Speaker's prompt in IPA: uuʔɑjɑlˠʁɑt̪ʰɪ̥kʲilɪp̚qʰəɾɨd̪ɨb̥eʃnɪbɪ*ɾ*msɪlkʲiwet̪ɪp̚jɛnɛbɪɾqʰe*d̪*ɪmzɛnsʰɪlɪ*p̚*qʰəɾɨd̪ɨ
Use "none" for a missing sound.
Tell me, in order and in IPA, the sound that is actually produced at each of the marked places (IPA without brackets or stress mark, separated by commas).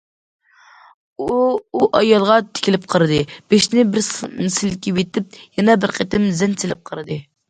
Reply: ɾ, t̪, p̚